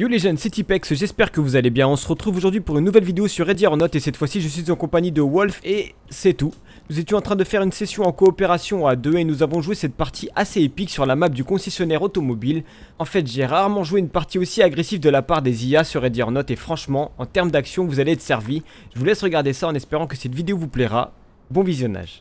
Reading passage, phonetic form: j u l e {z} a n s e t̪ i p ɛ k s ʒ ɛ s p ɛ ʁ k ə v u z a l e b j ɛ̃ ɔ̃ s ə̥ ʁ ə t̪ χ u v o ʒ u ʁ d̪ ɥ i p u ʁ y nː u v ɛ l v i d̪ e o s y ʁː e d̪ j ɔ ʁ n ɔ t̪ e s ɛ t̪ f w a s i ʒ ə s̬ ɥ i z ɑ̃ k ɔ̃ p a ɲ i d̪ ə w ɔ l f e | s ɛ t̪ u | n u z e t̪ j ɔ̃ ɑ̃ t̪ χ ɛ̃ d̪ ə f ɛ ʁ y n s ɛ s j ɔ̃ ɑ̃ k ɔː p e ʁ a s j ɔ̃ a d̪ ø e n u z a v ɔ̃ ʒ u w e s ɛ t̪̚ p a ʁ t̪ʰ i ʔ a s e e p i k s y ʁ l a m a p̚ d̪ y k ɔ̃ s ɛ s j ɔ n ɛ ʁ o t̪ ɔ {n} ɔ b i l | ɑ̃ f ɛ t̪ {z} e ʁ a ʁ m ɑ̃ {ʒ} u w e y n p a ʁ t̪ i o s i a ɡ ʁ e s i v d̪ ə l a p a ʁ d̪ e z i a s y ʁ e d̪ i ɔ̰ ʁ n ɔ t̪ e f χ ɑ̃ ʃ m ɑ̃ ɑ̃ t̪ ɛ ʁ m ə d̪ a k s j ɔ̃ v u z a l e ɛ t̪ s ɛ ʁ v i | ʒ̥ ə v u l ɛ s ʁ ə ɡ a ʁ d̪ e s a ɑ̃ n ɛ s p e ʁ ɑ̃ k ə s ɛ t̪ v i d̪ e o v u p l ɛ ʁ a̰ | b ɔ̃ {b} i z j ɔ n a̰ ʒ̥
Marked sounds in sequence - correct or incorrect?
incorrect: ʒ, incorrect: m, incorrect: ʒ, correct, incorrect: v

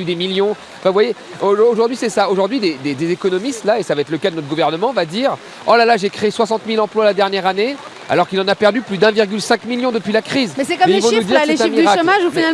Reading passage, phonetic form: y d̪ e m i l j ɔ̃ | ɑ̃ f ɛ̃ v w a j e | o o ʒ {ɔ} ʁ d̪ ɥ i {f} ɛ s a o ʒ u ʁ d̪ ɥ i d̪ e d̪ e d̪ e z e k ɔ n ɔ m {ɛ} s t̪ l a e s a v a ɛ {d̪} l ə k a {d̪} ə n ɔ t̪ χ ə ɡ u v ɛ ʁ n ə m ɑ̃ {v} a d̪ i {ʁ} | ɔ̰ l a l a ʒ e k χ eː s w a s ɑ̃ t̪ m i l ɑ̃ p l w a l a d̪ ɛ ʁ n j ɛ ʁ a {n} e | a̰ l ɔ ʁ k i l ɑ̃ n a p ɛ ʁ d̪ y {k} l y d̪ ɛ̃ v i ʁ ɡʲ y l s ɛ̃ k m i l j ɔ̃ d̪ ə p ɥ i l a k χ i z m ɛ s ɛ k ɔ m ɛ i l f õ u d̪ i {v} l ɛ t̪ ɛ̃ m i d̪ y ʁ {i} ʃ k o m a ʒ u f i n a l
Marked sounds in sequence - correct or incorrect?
incorrect: u, incorrect: s, incorrect: i, incorrect: t̪, correct, correct, correct, correct, incorrect: p, incorrect: ʁ, incorrect: a

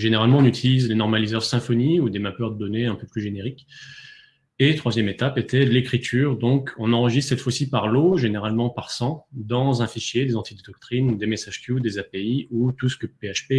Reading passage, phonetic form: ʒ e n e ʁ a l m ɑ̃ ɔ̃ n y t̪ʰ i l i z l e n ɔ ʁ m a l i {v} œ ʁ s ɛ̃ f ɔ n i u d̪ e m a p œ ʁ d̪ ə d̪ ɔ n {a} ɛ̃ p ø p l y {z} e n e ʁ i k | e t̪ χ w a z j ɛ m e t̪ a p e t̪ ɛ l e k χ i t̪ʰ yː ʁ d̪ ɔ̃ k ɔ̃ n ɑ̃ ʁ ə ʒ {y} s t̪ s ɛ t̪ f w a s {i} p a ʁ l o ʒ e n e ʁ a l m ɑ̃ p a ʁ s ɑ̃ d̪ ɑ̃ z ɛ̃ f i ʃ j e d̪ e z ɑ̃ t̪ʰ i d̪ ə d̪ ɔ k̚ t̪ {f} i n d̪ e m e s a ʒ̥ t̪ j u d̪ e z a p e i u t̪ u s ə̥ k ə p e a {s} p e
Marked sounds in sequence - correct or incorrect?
incorrect: z, incorrect: e, incorrect: ʒ, incorrect: i, correct, incorrect: χ, incorrect: ʃ

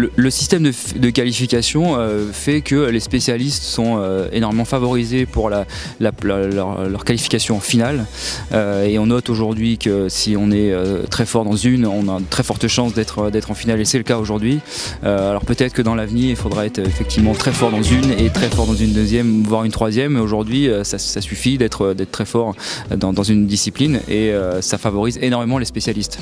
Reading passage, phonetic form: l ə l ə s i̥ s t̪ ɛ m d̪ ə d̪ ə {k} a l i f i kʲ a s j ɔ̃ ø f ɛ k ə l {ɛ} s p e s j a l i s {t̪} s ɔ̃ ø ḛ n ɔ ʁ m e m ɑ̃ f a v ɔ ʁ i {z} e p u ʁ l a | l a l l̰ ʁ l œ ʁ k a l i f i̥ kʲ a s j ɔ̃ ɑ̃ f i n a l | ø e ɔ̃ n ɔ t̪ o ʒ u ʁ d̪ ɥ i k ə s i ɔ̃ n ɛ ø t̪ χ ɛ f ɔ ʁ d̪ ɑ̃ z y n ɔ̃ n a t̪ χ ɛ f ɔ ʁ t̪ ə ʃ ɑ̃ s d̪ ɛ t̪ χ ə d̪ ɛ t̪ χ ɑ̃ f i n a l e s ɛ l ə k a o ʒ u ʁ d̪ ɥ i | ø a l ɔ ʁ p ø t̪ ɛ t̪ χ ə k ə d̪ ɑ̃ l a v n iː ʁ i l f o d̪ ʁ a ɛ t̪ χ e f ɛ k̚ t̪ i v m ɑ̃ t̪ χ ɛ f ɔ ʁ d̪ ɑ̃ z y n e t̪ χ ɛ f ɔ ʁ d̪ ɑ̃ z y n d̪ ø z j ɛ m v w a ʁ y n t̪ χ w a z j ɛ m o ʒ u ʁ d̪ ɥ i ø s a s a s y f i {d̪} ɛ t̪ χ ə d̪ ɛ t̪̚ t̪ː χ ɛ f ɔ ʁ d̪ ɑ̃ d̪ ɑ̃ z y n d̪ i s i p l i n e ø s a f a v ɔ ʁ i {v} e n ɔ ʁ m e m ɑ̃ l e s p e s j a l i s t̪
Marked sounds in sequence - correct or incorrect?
correct, incorrect: e, correct, correct, correct, incorrect: z

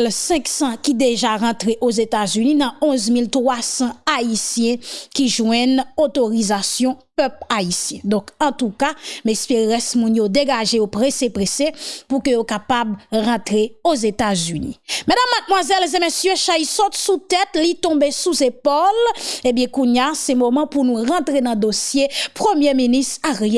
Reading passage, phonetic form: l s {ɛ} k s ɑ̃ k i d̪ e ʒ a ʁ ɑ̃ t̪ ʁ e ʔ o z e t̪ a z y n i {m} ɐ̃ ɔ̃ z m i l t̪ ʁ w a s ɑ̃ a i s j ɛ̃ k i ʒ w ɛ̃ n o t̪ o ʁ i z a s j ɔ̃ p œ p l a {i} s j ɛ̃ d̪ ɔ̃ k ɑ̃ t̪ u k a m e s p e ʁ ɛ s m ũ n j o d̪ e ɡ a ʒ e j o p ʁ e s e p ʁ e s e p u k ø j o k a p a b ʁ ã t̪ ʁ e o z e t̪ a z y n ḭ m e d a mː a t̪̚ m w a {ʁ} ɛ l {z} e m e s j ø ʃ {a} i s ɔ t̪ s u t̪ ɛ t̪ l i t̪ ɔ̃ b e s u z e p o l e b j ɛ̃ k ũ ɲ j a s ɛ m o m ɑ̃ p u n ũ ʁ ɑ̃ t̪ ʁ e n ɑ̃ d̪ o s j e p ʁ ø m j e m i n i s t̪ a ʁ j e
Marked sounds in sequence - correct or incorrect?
incorrect: ɛ̃, incorrect: n, correct, incorrect: z, correct, correct

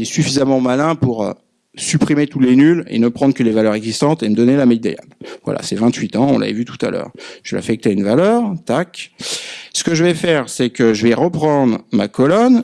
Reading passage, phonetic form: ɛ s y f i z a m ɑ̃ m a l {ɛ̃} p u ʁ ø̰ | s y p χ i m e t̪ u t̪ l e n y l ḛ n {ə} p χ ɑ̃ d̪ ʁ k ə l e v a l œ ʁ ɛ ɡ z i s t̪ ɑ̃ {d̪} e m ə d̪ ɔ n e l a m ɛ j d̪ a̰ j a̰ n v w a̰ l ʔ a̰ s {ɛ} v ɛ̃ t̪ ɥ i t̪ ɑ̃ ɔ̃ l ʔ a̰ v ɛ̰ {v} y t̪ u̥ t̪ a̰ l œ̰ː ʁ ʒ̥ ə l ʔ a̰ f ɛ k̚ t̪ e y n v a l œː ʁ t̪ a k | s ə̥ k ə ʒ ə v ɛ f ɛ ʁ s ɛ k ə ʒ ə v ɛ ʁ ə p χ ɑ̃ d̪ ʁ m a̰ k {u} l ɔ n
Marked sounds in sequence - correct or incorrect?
correct, correct, incorrect: t̪, correct, correct, incorrect: ɔ

